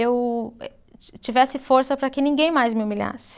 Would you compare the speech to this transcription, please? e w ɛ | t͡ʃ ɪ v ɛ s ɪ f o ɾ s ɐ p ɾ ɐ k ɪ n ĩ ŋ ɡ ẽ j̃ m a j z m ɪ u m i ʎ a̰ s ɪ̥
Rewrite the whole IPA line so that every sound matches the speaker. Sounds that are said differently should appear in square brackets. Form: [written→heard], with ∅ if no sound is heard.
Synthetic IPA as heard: e w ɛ | t͡ʃ [ɪ→i] v ɛ s ɪ f o ɾ s ɐ p ɾ ɐ k ɪ n ĩ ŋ ɡ ẽ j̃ m a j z m ɪ u m i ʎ a̰ s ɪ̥

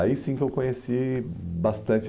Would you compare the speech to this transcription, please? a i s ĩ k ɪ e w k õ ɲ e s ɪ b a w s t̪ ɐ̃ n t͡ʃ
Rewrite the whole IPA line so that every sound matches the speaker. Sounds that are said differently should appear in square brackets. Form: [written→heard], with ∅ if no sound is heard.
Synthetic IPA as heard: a i s ĩ k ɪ e w k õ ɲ e s [ɪ→i] b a [w→∅] s t̪ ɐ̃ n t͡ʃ

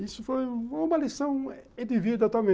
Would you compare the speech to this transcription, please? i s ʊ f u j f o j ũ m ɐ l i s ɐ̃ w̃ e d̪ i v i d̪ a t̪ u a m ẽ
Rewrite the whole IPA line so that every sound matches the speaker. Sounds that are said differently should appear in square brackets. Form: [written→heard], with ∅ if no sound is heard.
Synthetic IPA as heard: i s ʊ f [u→o] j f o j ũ m ɐ l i s ɐ̃ w̃ e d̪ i v i d̪ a t̪ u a m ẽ

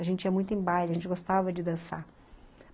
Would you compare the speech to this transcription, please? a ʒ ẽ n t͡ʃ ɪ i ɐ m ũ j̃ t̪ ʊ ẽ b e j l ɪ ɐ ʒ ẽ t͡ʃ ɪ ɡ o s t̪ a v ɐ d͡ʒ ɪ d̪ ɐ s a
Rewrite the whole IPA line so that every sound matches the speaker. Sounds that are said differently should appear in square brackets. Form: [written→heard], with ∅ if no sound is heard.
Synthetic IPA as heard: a ʒ ẽ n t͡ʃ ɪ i ɐ m ũ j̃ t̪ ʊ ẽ b [e→a] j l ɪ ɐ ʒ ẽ t͡ʃ ɪ ɡ o s t̪ a v ɐ d͡ʒ ɪ d̪ [ɐ→ɐ̃] s a

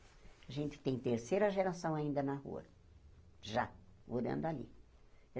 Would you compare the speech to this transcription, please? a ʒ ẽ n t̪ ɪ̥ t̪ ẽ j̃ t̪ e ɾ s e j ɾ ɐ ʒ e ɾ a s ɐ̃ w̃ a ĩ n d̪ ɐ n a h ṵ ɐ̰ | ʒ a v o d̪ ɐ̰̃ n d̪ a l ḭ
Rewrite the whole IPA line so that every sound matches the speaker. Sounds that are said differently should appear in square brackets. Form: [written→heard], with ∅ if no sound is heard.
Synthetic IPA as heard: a ʒ ẽ n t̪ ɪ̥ t̪ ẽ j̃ t̪ e ɾ s e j ɾ ɐ ʒ e ɾ a s ɐ̃ w̃ a ĩ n d̪ ɐ n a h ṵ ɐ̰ | ʒ a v o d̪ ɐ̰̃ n d̪ a l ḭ

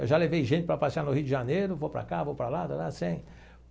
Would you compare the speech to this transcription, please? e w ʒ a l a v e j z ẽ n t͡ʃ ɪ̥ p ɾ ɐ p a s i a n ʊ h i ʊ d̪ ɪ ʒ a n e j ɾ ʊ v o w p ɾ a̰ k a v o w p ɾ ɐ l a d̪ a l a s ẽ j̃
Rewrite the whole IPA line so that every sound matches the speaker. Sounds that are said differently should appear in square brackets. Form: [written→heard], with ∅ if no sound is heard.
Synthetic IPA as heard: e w ʒ a l [a→e] v e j [z→ʒ] ẽ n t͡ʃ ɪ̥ p ɾ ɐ p a s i a n ʊ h i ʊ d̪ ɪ ʒ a n e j ɾ ʊ v o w p ɾ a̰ k a v o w p ɾ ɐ l a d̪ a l a s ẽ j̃

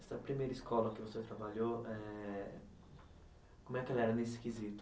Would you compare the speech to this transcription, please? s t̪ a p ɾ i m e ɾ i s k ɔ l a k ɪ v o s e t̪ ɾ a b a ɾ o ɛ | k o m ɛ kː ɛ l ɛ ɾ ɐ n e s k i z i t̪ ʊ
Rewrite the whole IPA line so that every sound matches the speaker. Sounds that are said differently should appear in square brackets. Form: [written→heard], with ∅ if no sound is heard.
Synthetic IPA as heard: s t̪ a p ɾ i m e ɾ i s k ɔ l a k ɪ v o s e t̪ ɾ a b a [ɾ→ʎ] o ɛ | k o m ɛ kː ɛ l ɛ ɾ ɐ n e s k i z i t̪ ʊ

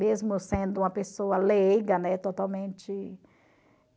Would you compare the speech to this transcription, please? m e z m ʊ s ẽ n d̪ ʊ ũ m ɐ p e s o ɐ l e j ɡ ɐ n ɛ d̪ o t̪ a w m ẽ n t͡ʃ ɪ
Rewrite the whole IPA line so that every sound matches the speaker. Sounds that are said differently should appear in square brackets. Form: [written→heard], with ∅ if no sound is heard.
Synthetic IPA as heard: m e z m ʊ s ẽ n d̪ ʊ ũ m ɐ p e s o ɐ l e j ɡ ɐ n ɛ [d̪→t̪] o t̪ a w m ẽ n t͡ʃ ɪ

